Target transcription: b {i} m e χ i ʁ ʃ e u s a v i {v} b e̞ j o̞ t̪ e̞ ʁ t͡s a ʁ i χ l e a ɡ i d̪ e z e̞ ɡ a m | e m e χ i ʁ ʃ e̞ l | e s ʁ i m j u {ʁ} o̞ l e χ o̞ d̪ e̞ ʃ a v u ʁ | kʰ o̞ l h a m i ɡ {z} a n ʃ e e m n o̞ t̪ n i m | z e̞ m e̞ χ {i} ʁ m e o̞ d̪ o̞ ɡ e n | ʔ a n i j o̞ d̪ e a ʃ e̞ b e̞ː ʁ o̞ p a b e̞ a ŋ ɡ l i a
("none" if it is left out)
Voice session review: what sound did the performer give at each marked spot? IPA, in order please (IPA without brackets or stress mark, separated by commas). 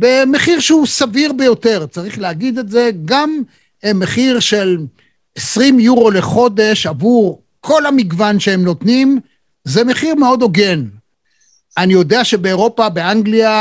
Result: e, ʁ, ʁ, v, i